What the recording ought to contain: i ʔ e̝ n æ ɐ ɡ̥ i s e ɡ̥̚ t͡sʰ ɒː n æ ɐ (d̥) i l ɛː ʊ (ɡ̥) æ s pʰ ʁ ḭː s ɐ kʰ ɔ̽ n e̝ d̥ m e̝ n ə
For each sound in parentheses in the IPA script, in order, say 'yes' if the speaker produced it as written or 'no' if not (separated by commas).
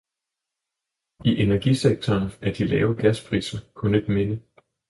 yes, yes